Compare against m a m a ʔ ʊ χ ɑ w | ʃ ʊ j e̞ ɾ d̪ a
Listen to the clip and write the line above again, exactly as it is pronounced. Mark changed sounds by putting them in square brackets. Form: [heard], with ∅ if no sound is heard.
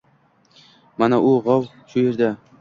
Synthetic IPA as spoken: m a [n] a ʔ ʊ [ʁ] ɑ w | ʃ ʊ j e̞ ɾ d̪ a